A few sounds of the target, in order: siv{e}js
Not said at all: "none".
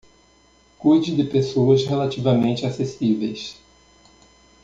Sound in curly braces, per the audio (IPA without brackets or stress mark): e